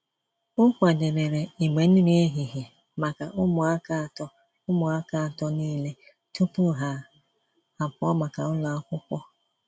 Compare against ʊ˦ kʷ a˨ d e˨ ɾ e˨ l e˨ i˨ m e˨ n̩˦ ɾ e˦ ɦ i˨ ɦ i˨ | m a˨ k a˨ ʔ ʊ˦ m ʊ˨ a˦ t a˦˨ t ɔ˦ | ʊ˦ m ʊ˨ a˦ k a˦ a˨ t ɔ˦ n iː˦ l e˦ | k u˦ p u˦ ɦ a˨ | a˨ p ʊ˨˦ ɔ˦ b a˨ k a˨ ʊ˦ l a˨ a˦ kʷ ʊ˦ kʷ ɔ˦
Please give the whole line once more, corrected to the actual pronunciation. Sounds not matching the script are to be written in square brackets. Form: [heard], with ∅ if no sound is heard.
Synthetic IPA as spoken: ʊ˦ kʷ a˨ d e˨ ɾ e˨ [ɾ] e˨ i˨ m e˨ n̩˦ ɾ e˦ ɦ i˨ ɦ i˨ | m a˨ k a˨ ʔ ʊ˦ m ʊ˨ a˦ [k] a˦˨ t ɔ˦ | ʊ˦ m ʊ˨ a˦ k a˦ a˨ t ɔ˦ n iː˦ l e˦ | [t] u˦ p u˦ ɦ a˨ | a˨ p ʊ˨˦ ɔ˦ [m] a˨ k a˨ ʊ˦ l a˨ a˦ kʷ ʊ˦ kʷ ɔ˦